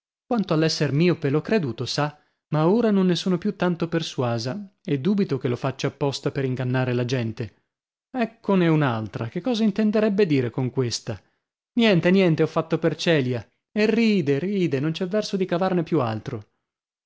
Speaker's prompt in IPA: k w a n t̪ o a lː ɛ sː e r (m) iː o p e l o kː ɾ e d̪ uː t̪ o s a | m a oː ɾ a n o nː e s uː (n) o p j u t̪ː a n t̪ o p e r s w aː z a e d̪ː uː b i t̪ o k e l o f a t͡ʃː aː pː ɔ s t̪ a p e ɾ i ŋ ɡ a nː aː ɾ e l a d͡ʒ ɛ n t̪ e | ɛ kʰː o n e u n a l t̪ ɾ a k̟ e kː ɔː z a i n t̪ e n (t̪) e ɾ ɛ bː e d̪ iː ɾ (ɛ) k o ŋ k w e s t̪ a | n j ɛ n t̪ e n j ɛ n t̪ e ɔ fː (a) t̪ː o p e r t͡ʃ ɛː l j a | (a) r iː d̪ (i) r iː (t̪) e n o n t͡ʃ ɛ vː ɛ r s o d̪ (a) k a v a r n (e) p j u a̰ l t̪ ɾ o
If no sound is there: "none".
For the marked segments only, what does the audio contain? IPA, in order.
m, n, d̪, e, a, e, e, d̪, i, e

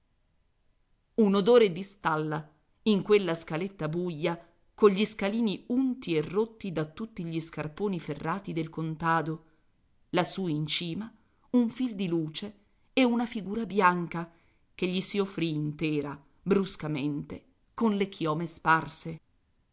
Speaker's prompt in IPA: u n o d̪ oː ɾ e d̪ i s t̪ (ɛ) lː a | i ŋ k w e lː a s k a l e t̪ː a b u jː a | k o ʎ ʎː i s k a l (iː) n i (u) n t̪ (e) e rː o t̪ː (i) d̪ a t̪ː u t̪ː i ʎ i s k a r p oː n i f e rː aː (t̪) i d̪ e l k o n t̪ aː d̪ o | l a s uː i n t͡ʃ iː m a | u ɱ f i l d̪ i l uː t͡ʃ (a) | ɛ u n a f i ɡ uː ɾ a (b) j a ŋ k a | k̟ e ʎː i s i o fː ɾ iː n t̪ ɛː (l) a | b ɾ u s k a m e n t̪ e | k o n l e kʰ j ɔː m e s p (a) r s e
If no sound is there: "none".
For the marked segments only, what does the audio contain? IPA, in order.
a, iː, u, i, i, t̪, e, b, ɾ, a

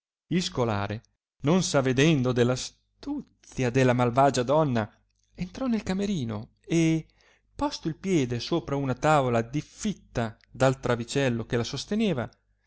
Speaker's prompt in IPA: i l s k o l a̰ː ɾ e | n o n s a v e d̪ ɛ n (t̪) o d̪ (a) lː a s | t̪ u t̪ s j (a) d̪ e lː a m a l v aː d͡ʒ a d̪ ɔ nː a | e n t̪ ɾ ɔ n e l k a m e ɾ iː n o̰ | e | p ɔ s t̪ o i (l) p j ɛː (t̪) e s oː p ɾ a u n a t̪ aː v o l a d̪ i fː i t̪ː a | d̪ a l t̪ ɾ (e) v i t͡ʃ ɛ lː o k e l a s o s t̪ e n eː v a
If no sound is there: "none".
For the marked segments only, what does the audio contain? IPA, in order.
d̪, e, a, l, d̪, a

